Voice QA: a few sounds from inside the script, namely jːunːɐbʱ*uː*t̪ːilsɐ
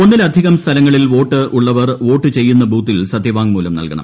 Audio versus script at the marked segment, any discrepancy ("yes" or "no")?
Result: no